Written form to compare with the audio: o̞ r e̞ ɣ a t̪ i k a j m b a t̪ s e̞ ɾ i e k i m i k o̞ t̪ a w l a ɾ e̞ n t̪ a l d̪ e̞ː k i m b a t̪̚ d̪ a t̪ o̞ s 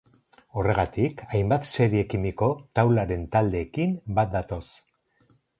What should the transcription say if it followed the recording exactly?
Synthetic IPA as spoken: o̞ r e̞ ɣ a t̪ i k a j m b a t̪ s e̞ ɾ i e k i m i k o̞ t̪ a w l a ɾ e̞ n t̪ a l d̪ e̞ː k i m b a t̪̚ d̪ a t̪ o̞ s